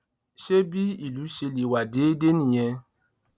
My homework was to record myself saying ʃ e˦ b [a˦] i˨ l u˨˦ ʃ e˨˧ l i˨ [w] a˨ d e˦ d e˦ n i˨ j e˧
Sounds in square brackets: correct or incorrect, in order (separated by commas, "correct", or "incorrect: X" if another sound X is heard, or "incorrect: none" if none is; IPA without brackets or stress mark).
incorrect: i˦, correct